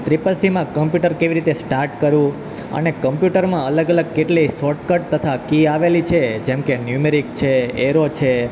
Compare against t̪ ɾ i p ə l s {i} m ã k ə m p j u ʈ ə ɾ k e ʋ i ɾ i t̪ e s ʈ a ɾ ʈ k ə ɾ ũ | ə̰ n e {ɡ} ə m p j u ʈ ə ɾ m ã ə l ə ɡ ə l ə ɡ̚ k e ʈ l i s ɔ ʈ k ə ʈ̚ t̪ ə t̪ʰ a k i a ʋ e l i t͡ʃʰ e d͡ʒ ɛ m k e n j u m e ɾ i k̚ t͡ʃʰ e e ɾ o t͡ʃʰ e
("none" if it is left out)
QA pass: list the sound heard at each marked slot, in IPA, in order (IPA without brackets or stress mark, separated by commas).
i, k